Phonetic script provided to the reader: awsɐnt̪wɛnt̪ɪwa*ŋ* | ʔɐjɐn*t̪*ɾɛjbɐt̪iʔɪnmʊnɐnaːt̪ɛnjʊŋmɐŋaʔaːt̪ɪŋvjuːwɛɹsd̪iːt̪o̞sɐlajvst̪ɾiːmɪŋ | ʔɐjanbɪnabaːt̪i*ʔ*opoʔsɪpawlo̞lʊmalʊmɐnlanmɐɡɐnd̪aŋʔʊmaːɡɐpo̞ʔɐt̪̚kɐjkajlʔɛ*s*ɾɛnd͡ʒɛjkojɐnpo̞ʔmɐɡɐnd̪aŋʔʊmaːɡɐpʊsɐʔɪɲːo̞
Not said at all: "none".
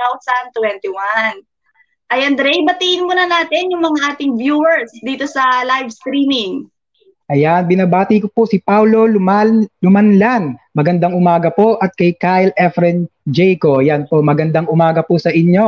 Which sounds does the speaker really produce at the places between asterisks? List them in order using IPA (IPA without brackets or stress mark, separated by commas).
n, d̪, k, f